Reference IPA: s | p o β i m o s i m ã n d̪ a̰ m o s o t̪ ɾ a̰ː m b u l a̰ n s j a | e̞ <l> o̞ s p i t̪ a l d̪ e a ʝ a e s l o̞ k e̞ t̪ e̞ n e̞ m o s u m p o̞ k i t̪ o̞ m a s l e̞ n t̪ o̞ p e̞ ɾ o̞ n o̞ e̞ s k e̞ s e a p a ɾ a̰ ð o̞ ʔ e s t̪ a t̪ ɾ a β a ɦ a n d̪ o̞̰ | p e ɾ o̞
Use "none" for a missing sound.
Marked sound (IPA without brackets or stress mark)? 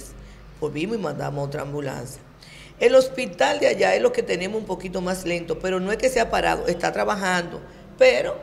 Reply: l